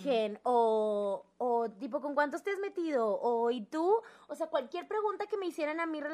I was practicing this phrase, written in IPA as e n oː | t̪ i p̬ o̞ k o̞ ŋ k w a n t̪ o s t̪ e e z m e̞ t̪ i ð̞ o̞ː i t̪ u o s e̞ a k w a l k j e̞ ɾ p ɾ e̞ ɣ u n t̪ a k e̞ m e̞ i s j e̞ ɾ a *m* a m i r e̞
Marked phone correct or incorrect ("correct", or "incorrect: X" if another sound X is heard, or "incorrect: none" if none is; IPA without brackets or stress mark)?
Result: incorrect: n